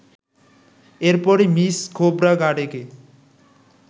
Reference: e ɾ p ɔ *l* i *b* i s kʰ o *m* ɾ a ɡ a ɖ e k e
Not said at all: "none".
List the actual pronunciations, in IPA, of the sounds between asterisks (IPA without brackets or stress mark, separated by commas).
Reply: ɾ, m, b